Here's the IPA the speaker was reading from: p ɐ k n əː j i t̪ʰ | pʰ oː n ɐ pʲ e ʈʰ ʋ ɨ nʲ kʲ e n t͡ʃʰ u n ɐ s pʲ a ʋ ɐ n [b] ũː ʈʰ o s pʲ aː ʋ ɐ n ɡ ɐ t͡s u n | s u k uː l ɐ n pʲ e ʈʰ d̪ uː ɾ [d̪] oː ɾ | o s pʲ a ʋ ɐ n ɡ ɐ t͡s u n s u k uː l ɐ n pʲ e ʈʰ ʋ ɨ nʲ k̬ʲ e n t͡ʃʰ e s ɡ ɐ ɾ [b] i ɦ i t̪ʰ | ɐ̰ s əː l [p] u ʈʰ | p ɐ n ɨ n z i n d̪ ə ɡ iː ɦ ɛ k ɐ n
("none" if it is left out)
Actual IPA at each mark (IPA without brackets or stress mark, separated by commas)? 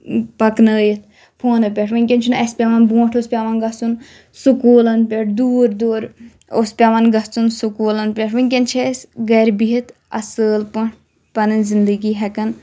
b, d̪, b, p